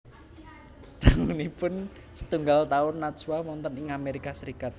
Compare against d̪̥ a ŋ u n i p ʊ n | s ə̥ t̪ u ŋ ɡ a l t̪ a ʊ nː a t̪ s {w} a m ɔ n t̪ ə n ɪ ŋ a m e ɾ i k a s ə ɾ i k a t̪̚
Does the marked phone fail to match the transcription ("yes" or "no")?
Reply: no